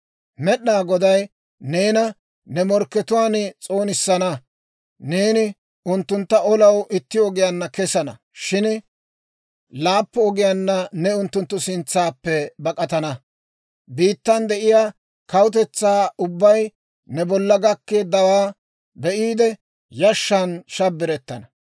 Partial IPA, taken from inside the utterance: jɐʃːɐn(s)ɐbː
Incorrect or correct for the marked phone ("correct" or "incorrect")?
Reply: incorrect